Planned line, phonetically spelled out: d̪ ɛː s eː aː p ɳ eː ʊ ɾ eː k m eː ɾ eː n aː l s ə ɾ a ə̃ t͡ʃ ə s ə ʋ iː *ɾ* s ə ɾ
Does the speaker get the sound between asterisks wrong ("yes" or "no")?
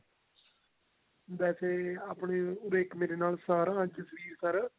no